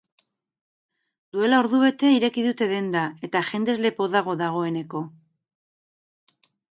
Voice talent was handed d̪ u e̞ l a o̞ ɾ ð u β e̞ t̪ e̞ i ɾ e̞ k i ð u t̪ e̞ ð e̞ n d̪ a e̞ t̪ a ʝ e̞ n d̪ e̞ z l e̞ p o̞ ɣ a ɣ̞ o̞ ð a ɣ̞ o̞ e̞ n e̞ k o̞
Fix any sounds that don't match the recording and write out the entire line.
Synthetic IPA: d̪ u e̞ l a o̞ ɾ ð u β e̞ t̪ e̞ i ɾ e̞ k i ð u t̪ e̞ ð e̞ n d̪ a e̞ t̪ a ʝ e̞ n d̪ e̞ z l e̞ p o̞ ð a ɣ̞ o̞ ð a ɣ̞ o̞ e̞ n e̞ k o̞